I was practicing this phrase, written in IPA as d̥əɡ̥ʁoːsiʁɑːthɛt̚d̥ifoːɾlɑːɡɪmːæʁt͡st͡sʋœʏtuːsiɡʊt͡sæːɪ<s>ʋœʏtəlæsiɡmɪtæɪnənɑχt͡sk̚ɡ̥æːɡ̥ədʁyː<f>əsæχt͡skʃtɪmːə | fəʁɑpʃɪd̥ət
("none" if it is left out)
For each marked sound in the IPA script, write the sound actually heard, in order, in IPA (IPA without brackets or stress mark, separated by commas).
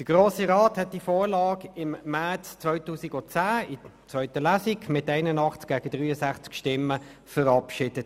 t͡s, none